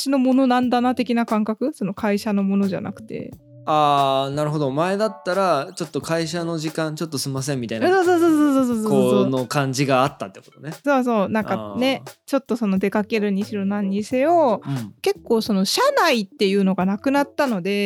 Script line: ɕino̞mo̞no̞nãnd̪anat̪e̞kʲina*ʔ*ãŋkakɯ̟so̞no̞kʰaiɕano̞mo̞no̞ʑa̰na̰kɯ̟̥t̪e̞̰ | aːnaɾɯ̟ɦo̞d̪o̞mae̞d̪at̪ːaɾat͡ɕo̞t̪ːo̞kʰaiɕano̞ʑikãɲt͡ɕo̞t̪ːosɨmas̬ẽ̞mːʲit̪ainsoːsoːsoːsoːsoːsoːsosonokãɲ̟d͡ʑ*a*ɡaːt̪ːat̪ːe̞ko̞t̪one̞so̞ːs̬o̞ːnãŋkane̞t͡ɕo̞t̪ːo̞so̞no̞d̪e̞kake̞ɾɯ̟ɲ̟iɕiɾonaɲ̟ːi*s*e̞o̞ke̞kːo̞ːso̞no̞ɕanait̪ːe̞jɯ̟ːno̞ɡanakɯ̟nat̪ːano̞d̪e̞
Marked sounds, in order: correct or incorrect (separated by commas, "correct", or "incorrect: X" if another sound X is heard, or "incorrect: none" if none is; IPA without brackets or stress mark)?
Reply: incorrect: k, incorrect: i, correct